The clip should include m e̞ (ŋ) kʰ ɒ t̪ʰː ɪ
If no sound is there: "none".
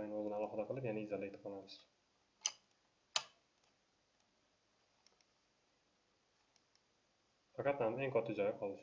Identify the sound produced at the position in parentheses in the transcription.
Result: ŋ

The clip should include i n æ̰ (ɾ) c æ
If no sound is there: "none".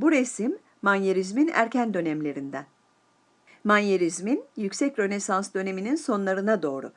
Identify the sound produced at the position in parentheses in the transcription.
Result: ɾ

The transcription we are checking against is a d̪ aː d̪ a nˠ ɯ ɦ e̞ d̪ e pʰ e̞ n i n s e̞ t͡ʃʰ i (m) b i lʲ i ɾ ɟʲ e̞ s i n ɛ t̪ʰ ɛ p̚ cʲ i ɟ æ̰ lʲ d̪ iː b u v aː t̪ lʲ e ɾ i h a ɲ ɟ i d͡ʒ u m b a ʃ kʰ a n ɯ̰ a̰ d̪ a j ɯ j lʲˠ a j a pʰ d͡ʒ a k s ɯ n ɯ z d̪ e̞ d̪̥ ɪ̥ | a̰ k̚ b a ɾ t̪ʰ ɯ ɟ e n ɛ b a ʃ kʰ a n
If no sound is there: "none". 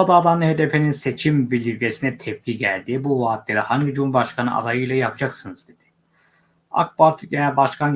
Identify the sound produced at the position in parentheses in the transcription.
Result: m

